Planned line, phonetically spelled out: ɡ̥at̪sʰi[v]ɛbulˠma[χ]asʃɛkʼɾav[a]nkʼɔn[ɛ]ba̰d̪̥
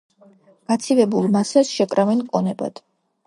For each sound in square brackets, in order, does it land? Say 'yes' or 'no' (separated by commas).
yes, no, no, yes